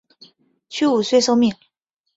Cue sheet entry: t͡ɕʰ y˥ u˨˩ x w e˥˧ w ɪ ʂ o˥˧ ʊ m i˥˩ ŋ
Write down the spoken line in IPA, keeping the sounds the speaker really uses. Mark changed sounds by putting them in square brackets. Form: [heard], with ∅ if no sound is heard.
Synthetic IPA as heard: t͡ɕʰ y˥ u˨˩ [s] w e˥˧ [∅] ɪ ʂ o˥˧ ʊ m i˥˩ ŋ